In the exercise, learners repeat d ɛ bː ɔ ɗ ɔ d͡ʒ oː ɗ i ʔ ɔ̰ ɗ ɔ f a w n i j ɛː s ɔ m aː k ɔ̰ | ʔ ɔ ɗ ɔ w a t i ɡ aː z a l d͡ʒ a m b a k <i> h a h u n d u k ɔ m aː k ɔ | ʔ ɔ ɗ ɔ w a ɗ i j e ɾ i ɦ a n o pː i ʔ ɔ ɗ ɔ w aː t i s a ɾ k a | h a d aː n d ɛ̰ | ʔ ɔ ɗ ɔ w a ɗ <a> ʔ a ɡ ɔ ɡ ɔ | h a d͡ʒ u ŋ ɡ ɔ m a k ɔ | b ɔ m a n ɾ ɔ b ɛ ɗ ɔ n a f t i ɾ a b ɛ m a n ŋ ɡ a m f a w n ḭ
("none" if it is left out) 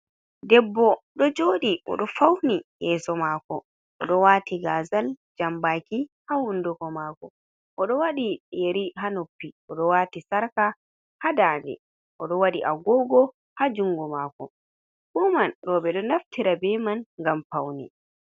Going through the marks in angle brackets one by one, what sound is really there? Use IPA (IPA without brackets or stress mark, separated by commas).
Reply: i, i